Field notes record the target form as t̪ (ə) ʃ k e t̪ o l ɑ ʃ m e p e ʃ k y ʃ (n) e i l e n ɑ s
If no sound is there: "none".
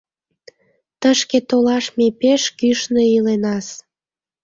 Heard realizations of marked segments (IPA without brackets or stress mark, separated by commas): ə, n